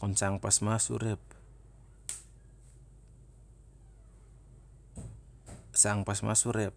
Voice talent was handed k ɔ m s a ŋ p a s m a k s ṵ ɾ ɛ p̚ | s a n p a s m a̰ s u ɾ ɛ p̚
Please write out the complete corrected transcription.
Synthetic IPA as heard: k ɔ n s a ŋ p a s m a s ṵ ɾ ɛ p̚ | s a ŋ p a s m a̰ s u ɾ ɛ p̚